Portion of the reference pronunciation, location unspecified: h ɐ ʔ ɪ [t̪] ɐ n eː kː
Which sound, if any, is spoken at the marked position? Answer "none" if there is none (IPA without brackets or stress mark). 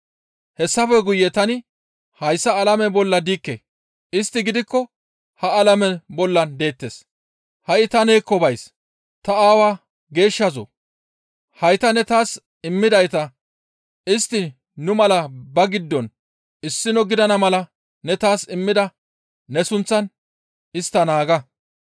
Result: t̪